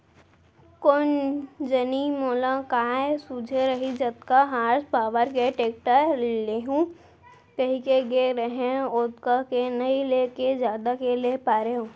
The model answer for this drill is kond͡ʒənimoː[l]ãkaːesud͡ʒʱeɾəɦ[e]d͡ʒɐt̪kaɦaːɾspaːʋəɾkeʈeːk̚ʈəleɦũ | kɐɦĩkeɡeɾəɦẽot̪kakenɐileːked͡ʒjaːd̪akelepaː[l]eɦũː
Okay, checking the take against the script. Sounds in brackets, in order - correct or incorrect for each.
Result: correct, incorrect: i, incorrect: ɾ

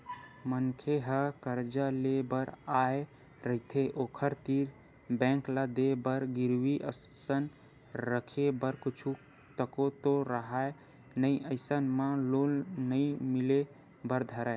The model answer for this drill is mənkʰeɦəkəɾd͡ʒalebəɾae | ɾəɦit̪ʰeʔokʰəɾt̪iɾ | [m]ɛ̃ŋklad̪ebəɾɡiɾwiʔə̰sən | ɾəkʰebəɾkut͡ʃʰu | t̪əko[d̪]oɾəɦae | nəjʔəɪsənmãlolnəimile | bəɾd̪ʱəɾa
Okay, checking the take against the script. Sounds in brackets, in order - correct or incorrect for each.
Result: incorrect: b, incorrect: t̪

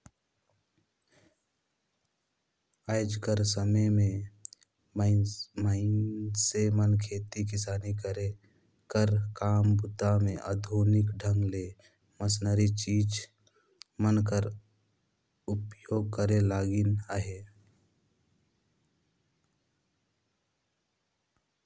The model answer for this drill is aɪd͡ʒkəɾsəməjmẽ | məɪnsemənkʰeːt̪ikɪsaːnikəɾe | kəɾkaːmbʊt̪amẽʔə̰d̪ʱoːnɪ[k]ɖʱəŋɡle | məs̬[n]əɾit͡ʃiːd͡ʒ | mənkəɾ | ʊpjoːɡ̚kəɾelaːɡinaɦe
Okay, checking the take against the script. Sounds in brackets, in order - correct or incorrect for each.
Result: correct, correct

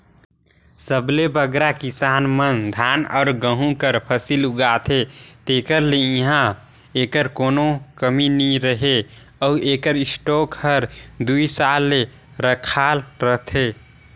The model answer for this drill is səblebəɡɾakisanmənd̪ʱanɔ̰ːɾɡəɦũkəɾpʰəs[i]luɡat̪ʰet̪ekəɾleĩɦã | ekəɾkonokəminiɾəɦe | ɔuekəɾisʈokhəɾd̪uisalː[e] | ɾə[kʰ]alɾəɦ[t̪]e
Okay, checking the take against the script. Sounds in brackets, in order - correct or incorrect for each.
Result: correct, correct, correct, incorrect: t̪ʰ

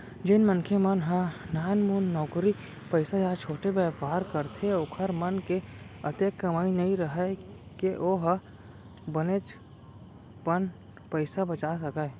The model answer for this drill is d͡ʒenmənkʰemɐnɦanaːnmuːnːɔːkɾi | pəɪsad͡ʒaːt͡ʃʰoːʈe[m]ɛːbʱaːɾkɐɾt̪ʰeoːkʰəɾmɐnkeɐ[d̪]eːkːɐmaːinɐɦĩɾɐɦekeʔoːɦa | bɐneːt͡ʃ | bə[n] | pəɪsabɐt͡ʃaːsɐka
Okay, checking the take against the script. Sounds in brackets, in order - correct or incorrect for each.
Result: incorrect: b, incorrect: t̪, correct

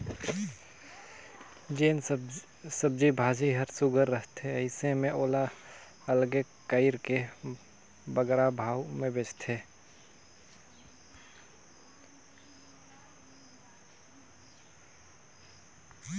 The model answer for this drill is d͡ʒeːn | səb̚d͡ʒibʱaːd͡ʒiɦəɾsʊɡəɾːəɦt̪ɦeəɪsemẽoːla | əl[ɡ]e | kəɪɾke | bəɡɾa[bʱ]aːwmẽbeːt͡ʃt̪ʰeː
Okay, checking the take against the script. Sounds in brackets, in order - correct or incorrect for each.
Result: correct, correct

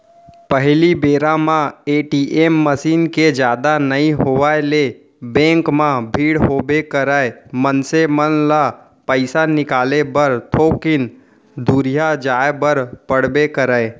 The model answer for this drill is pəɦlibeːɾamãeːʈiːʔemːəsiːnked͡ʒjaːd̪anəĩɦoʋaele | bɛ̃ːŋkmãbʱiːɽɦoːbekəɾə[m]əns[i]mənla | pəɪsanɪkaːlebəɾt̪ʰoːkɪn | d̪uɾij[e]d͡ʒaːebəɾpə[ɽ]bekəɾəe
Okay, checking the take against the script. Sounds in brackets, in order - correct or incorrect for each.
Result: correct, incorrect: e, incorrect: a, correct

